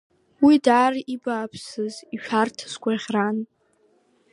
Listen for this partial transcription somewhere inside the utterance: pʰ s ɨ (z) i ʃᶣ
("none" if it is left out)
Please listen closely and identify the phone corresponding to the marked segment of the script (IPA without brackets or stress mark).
z